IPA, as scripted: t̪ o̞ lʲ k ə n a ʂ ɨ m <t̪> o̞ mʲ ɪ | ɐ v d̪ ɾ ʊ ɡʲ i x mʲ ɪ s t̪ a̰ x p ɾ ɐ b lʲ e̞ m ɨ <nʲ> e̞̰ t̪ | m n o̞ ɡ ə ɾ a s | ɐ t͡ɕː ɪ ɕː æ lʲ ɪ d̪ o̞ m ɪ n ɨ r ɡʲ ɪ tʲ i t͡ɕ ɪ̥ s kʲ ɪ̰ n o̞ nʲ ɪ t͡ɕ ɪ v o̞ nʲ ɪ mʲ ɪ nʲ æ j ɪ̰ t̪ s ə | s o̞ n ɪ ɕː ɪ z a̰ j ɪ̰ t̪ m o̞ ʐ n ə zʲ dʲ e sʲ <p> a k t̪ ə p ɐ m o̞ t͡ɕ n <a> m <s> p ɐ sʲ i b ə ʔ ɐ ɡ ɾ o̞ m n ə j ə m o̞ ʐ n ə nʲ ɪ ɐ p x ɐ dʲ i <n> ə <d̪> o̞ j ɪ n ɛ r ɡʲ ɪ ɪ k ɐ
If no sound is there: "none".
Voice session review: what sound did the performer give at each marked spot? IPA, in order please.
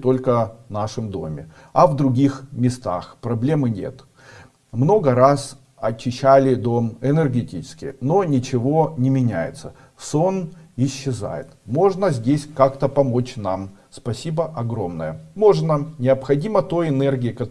d̪, nʲ, k, a, s, m, t̪

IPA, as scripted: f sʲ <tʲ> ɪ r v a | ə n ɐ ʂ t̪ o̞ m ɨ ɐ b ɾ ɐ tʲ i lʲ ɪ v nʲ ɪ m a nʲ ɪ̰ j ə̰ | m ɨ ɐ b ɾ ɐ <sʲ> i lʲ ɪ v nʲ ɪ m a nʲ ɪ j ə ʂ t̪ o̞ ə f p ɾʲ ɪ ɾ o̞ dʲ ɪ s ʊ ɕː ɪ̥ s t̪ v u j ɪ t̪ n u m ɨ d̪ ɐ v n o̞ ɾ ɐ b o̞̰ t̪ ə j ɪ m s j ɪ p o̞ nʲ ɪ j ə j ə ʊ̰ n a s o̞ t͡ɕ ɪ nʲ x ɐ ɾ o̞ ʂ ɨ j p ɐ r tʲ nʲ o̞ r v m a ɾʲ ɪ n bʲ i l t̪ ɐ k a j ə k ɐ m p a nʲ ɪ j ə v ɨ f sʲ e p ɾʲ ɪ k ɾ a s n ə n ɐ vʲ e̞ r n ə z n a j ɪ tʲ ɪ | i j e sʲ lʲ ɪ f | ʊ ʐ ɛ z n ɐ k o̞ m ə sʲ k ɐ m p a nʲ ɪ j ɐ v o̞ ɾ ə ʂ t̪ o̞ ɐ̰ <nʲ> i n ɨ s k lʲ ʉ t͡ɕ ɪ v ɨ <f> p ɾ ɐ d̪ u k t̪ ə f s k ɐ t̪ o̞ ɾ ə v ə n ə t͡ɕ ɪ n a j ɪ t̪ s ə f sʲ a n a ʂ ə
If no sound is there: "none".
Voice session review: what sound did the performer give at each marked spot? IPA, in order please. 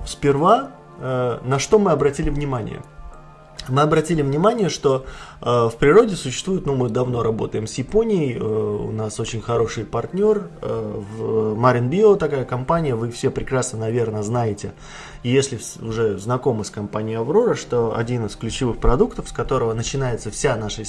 pʲ, tʲ, dʲ, x

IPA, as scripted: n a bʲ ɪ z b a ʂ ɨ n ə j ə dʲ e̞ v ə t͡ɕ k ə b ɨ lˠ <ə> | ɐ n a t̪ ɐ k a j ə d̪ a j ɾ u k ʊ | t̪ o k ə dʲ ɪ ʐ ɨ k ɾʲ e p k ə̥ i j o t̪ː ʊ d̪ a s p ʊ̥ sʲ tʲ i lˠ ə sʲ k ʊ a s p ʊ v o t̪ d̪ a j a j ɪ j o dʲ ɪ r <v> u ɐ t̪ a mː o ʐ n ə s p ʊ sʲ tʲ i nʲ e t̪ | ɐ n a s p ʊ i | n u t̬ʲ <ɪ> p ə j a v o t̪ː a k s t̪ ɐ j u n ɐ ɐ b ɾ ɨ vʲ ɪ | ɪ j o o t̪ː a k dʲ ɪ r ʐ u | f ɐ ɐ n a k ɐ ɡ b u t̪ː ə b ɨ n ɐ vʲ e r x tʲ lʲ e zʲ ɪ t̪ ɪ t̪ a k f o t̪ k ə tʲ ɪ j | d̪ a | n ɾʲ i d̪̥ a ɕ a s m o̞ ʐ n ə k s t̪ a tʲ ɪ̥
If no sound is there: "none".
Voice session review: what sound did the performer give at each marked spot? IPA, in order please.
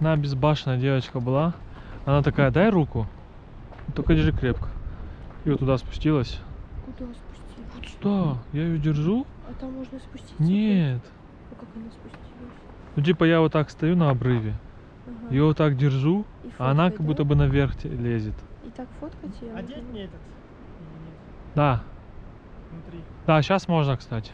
a, ʐ, i

